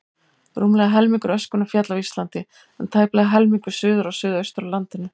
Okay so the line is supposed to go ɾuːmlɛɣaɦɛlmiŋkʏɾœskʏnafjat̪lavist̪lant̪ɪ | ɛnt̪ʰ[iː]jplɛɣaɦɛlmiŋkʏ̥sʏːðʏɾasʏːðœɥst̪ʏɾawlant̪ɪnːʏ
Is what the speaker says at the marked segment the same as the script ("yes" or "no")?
no